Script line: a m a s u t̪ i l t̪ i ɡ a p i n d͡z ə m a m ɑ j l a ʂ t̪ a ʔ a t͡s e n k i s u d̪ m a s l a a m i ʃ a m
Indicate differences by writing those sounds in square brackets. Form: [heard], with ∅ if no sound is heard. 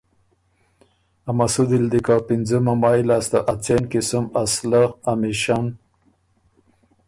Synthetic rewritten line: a m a s u [d̪] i l [d̪] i [k] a p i n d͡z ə m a m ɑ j l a [s] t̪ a ʔ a t͡s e n k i s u [∅] m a s l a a m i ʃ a [n]